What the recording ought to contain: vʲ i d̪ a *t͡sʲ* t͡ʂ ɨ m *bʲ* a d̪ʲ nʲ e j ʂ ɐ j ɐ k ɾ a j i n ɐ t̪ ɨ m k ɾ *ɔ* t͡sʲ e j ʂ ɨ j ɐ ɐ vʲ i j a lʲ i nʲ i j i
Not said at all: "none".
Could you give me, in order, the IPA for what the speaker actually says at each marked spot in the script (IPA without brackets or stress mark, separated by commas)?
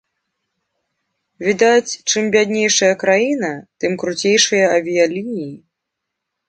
t͡sʲ, bʲ, u